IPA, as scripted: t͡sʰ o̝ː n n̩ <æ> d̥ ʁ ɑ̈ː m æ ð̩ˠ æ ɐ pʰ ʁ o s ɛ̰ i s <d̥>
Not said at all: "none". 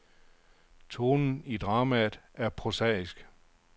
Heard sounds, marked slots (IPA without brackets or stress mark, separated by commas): i, ɡ̥